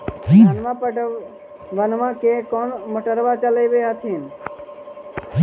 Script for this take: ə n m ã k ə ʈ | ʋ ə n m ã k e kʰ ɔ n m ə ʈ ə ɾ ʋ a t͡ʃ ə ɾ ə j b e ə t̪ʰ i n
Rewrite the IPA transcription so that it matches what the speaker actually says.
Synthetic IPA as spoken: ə n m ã p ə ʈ | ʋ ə n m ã k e k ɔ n m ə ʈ ə ɾ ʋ a t͡ʃ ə l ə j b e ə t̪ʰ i n